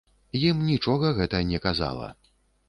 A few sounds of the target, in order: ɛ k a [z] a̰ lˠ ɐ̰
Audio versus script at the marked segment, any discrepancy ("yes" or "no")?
no